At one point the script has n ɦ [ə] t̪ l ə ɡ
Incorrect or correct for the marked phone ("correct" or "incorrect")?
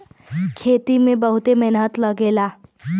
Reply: correct